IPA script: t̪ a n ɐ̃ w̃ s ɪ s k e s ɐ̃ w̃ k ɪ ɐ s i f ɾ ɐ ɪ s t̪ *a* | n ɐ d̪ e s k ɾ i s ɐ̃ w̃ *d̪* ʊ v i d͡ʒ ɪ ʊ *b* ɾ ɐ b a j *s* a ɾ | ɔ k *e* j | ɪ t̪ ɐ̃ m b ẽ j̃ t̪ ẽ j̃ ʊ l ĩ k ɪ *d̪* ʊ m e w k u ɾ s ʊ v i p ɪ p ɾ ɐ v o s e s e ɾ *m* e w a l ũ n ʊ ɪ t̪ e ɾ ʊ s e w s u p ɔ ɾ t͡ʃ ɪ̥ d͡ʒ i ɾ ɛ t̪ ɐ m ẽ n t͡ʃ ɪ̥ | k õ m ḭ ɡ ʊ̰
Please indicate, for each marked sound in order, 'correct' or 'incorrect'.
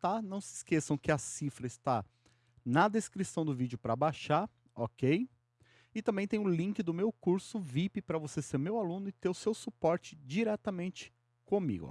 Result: correct, correct, incorrect: p, incorrect: ʃ, correct, correct, correct

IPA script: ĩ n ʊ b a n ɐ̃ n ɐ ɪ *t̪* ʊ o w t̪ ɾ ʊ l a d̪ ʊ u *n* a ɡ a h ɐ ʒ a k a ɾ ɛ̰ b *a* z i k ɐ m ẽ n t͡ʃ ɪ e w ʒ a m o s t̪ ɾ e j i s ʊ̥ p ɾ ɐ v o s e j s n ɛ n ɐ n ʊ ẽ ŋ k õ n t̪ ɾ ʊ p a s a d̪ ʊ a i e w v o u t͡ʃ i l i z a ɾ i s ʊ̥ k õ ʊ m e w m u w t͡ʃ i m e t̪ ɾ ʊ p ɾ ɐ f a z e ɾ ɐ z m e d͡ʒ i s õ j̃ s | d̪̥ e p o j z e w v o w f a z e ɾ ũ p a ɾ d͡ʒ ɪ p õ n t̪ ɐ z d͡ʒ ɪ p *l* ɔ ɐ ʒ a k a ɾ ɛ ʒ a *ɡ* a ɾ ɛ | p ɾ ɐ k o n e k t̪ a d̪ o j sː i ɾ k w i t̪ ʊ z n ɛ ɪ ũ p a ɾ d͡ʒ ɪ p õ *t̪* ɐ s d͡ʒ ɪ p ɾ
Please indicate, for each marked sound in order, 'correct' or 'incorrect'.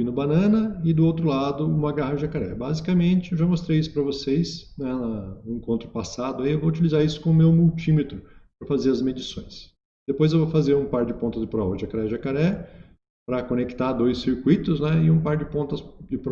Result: incorrect: d̪, incorrect: m, correct, incorrect: ɾ, incorrect: k, correct

